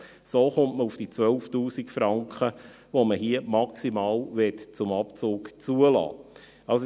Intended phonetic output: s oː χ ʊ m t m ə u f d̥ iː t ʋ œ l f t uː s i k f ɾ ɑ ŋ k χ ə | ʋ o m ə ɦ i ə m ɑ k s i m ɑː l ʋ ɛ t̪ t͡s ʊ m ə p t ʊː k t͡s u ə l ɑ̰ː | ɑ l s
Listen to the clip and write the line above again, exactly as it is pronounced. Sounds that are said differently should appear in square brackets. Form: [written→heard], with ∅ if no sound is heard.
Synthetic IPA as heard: s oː χ ʊ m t m ə u f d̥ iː [t→t͡s] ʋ œ l f t uː s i k f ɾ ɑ ŋ k χ ə | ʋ o m ə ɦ i ə m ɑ k s i m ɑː l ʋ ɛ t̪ t͡s ʊ m [ə→ɑ] p [t→t͡s] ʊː k t͡s u ə l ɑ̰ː | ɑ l s

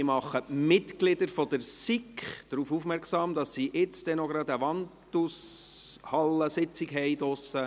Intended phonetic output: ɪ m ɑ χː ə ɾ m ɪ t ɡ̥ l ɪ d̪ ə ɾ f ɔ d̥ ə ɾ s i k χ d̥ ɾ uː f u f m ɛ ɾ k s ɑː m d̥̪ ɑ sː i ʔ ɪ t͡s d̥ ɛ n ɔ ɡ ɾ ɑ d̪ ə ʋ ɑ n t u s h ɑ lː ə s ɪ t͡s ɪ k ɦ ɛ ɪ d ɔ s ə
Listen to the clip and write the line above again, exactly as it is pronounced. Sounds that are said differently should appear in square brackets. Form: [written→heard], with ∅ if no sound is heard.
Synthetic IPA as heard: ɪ m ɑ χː ə [ɾ→∅] m ɪ t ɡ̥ l ɪ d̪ ə ɾ f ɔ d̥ ə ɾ s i k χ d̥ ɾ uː f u f m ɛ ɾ k s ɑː m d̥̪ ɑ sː i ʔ ɪ t͡s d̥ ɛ n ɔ ɡ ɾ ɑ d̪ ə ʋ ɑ n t u s h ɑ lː ə s ɪ t͡s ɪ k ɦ ɛ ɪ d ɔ s ə

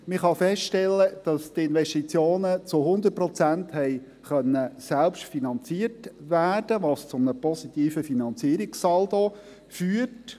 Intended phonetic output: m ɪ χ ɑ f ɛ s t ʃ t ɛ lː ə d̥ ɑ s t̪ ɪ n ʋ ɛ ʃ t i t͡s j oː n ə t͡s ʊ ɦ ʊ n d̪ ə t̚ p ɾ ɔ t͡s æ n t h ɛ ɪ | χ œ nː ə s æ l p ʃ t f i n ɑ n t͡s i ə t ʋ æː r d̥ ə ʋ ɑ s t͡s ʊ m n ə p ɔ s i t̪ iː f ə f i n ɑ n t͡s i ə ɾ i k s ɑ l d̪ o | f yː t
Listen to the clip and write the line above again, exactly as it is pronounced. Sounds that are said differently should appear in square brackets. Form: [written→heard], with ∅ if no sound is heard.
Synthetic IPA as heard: m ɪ χ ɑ f ɛ s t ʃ t ɛ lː ə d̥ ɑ s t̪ ɪ n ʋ ɛ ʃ t i t͡s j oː n ə t͡s ʊ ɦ ʊ n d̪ ə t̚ p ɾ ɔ t͡s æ n t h ɛ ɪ | χ œ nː ə s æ l p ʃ t f i n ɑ n t͡s i ə t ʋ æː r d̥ ə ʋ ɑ s t͡s ʊ m n ə p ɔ s i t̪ iː f ə f i n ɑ n t͡s i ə ɾ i k s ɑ l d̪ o | f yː t

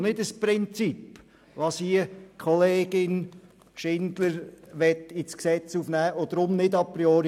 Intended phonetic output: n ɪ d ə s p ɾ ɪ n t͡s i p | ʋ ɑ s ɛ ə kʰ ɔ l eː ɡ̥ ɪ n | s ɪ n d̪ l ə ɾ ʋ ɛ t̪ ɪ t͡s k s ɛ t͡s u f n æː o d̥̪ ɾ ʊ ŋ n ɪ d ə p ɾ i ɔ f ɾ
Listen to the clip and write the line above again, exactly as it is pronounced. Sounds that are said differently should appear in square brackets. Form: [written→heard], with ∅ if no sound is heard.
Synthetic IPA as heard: n ɪ d ə s p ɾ ɪ n t͡s i p | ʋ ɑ s [ɛ→i] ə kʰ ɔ l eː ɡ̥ ɪ n | [s→ʃ] ɪ n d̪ l ə ɾ ʋ ɛ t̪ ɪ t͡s k s ɛ t͡s u f n æː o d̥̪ ɾ ʊ [ŋ→m] n ɪ d [ə→ɑ] p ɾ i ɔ [f→∅] ɾ

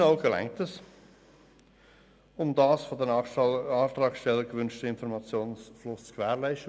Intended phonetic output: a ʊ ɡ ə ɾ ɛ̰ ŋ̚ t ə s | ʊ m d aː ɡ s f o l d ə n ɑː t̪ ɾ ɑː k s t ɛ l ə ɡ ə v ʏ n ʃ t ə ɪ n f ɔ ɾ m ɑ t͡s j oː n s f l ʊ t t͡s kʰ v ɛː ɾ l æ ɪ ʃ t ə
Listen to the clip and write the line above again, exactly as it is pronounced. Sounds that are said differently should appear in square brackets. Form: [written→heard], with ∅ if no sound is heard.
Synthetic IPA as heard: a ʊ ɡ ə [ɾ→l] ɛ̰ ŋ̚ t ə s | ʊ m d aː [ɡ→∅] s f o [l→∅] d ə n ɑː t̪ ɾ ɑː k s t ɛ l ə ɡ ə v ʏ n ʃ t ə ɪ n f ɔ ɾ m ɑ t͡s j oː n s f l ʊ [t→s] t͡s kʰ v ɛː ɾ l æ ɪ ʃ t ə

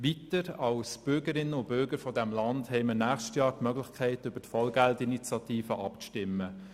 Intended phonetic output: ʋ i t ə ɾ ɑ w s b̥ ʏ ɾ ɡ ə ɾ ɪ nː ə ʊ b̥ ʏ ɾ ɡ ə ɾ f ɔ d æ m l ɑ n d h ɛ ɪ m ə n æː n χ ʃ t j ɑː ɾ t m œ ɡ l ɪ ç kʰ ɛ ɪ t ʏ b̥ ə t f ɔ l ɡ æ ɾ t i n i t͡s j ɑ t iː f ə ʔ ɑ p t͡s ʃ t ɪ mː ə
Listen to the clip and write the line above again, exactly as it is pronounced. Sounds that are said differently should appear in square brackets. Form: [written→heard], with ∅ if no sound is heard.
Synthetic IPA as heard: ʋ i t ə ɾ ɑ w s b̥ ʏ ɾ ɡ ə ɾ ɪ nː ə ʊ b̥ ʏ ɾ ɡ ə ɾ f ɔ d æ m l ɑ n d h ɛ ɪ m ə n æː [n→∅] χ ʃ t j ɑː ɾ t m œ ɡ l ɪ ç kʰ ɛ ɪ t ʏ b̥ ə t f ɔ l ɡ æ [ɾ→l] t i n i t͡s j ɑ t iː f ə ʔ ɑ p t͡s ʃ t ɪ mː ə

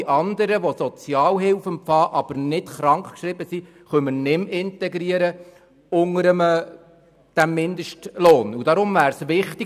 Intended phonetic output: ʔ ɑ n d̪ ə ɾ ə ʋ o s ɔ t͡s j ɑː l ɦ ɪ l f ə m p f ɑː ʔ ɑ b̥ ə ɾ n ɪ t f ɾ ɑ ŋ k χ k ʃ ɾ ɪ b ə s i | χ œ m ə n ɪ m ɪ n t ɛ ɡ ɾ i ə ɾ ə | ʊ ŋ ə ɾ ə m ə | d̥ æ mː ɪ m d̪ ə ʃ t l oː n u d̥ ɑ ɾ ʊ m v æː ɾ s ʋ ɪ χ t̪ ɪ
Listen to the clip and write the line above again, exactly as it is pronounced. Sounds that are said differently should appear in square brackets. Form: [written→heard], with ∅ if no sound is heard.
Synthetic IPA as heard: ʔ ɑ n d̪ ə ɾ ə ʋ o s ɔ t͡s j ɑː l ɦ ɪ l f ə m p f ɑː ʔ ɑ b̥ ə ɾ n ɪ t [f→χ] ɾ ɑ ŋ k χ k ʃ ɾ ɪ b ə s i | χ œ m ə n ɪ m ɪ n t ɛ ɡ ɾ i ə ɾ ə | ʊ ŋ ə ɾ ə m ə | d̥ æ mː ɪ [m→n] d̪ ə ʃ t l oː n u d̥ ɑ ɾ ʊ m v æː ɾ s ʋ ɪ χ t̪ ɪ

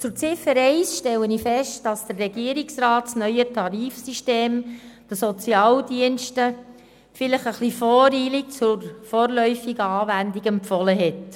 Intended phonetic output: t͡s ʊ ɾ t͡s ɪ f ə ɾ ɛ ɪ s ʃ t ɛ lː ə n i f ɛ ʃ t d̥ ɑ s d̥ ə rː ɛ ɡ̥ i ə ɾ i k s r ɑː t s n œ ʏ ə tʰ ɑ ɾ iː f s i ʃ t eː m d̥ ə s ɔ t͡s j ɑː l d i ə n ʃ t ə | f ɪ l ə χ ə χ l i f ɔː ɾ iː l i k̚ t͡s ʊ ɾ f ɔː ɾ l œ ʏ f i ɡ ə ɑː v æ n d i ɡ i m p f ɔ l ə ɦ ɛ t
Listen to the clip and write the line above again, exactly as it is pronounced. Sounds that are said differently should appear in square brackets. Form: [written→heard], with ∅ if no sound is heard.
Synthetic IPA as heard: t͡s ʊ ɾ t͡s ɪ f ə ɾ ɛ ɪ s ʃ t ɛ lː ə n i f ɛ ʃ t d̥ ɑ s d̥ ə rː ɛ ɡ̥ i ə ɾ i k s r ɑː t s n œ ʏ ə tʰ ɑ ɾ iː f s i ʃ t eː m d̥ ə s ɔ t͡s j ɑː l d i ə n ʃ t ə | f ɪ l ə χ ə χ l i f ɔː ɾ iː l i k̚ t͡s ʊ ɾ f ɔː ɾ l œ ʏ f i ɡ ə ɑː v æ n d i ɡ [i→ɛ] m p f ɔ l ə ɦ ɛ t

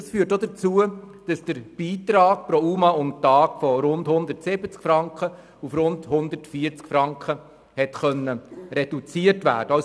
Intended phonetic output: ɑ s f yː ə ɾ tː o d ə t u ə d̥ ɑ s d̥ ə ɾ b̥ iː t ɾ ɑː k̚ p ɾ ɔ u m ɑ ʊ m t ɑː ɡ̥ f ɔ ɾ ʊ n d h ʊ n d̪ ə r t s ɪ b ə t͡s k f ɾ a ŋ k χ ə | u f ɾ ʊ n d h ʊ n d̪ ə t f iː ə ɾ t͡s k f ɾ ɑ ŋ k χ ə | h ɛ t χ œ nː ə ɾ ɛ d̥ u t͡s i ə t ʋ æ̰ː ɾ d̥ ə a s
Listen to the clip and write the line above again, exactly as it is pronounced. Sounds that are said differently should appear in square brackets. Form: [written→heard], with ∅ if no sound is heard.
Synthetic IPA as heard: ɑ s f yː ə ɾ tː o d ə [t→t͡s] u ə d̥ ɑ s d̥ ə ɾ b̥ iː t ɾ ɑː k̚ p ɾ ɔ u m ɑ ʊ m t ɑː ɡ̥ f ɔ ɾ ʊ n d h ʊ n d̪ ə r t s ɪ b ə t͡s k f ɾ [a→ɑ] ŋ k χ ə | u f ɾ ʊ n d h ʊ n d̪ ə t f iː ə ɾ t͡s k f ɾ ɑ ŋ k χ ə | h ɛ t χ œ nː ə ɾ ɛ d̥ u t͡s i ə t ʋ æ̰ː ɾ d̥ ə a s

